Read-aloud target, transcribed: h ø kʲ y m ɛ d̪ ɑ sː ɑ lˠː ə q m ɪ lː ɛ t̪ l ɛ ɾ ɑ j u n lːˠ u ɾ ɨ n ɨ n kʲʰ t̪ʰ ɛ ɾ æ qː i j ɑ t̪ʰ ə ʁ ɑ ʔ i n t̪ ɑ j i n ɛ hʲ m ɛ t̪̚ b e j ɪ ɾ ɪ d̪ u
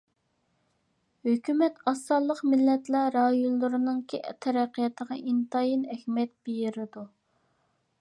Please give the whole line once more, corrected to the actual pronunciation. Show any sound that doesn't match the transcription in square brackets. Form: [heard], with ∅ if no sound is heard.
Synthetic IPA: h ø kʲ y m ɛ [t̪] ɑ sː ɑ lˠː ə q m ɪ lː ɛ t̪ l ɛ ɾ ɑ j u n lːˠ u ɾ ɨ n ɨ [ŋ] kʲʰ t̪ʰ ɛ ɾ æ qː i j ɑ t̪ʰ ə ʁ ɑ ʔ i n t̪ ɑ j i n ɛ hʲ m ɛ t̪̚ b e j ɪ ɾ ɪ d̪ u